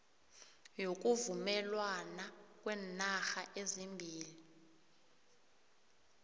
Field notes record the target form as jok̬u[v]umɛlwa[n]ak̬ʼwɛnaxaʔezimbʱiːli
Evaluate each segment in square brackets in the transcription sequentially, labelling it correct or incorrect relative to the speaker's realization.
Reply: correct, correct

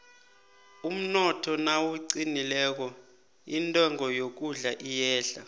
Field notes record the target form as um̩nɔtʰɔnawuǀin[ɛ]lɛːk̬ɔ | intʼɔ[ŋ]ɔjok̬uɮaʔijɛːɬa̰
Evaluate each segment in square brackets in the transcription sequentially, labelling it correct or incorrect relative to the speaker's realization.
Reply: incorrect, correct

